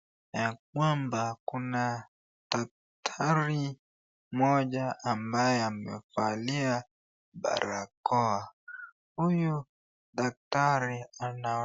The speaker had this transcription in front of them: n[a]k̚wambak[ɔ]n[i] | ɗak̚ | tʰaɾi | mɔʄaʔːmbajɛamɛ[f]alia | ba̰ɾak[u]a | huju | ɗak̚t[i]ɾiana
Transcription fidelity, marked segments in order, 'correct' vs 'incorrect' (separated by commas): correct, incorrect, incorrect, correct, incorrect, incorrect